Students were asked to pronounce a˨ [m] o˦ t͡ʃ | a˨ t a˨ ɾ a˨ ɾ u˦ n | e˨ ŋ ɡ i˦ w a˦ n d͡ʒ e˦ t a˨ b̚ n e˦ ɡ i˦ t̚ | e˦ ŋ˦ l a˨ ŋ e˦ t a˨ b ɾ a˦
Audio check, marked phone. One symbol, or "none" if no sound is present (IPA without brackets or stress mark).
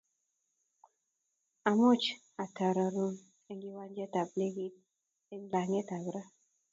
m